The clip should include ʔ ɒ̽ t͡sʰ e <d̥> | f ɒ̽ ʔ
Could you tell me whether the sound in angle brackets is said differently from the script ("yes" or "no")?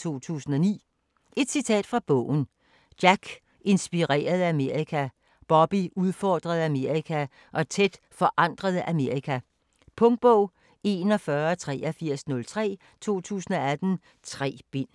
no